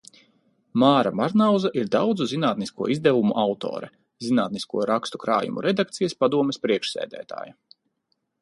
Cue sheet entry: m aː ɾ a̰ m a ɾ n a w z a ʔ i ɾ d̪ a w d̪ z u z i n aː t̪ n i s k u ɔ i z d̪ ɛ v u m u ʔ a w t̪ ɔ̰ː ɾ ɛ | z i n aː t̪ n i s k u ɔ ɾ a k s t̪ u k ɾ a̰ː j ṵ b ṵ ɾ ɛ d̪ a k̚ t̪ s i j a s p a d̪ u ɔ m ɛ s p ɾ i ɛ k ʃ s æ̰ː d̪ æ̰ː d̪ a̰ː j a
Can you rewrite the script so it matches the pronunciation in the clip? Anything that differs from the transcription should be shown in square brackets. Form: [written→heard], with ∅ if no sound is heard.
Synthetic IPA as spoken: m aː ɾ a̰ m a ɾ n a w z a ʔ i ɾ d̪ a w d̪ z u z i n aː t̪ n i s k u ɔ i z d̪ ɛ v u m u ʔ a w t̪ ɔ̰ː ɾ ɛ | z i n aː t̪ n i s k u ɔ ɾ a k s t̪ u k ɾ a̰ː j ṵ [b→m] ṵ ɾ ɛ d̪ a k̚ t̪ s i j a s p a d̪ u ɔ m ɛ s p ɾ i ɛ k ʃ s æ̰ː d̪ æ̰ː [d̪→t̪] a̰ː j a

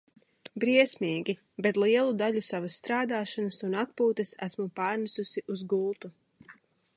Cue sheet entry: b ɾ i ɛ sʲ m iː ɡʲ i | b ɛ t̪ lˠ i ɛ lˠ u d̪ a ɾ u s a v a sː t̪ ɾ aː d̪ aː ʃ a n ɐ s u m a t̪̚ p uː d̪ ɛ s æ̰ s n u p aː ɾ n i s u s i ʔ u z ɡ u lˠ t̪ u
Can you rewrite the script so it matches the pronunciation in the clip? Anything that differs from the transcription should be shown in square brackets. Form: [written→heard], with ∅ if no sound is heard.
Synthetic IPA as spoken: b ɾ i ɛ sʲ m iː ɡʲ i | b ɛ t̪ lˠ i ɛ lˠ u d̪ a [ɾ→ʎ] u s a v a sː t̪ ɾ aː d̪ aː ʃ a n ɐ s u [m→n] a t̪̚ p uː [d̪→t̪] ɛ s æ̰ s [n→m] u p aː ɾ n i s u s i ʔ u z ɡ u lˠ t̪ u

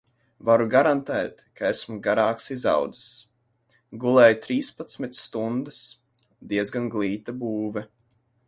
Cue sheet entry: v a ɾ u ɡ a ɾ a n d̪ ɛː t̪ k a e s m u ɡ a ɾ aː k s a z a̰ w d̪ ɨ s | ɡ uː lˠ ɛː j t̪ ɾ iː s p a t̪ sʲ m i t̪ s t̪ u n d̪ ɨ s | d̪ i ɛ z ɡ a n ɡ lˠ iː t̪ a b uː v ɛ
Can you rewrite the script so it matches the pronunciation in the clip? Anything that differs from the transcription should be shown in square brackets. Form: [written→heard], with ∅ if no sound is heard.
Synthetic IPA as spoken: v a ɾ u ɡ a ɾ a n [d̪→t̪] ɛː t̪ k a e s m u ɡ a ɾ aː k s [a→i] z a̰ w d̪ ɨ s | ɡ [uː→u] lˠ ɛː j t̪ ɾ iː s p a t̪ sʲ m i t̪ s t̪ u n d̪ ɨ s | d̪ i ɛ z ɡ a n ɡ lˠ iː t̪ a b uː v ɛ

